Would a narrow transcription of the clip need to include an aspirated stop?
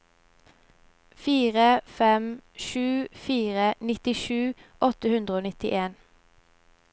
no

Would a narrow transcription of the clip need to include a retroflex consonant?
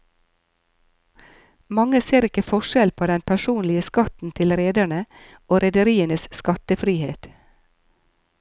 yes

